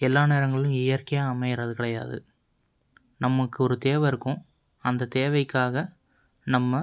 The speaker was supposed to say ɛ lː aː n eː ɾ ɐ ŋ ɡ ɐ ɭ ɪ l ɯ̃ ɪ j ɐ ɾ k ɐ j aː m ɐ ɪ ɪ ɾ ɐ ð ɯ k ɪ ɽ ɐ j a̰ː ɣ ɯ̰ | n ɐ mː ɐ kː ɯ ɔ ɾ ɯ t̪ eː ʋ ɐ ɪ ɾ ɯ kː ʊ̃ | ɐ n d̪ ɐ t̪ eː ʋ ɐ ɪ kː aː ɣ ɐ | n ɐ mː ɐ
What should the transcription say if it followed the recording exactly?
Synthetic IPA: ɛ lː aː n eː ɾ ɐ ŋ ɡ ɐ ɭ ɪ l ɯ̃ ɪ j ɐ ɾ k ɐ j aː m ɐ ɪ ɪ ɾ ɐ ð ɯ k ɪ ɽ ɐ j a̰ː ð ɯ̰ | n ɐ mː ɐ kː ɯ ɔ ɾ ɯ t̪ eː ʋ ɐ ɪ ɾ ɯ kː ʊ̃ | ɐ n d̪ ɐ t̪ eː ʋ ɐ ɪ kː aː ɣ ɐ | n ɐ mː ɐ